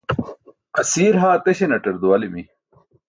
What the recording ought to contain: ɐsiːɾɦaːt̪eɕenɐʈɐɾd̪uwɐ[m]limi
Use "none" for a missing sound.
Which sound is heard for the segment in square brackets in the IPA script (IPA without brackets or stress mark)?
none